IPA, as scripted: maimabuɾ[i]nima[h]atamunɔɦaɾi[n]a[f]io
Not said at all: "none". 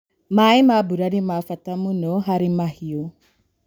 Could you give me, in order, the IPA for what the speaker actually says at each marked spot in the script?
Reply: a, f, m, h

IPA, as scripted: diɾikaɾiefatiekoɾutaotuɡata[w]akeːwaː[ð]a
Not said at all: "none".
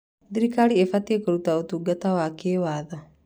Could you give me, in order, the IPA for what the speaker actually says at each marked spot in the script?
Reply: w, ð

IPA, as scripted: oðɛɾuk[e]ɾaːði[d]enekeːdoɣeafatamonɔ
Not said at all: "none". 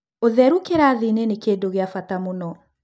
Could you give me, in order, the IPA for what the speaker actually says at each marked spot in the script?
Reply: e, n

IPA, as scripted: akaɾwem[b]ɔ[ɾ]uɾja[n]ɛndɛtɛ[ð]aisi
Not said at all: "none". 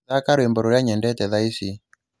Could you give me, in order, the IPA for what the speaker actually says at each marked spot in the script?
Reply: b, ɾ, ɲ, ð

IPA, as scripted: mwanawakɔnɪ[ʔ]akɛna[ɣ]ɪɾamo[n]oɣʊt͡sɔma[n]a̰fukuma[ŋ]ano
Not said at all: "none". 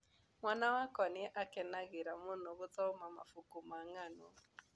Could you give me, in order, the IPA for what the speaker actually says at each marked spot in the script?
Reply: ʔ, ɣ, n, m, ŋ

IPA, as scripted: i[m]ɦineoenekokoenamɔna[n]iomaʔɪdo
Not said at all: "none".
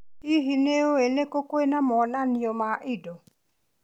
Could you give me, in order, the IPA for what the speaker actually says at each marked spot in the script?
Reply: none, n

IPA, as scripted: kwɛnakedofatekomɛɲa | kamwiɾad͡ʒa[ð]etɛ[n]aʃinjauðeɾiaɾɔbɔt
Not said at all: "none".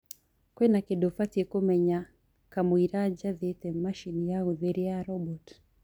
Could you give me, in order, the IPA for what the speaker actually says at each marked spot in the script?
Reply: ð, m

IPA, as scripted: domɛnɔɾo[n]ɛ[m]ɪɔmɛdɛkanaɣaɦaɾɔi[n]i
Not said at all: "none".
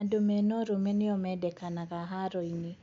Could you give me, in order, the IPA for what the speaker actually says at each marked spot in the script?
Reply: m, n, n

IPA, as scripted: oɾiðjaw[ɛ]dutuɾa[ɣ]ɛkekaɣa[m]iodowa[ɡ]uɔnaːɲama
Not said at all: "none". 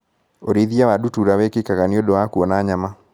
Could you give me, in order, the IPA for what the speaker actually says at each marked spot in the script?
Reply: a, w, n, k

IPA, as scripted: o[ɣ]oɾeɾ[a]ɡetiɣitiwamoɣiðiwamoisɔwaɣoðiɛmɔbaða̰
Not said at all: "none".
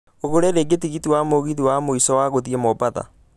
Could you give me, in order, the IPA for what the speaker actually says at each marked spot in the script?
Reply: ɣ, e

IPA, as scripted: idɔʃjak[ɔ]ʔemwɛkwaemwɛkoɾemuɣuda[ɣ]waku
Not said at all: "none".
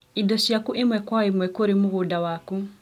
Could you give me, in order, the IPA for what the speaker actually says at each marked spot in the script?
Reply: u, none

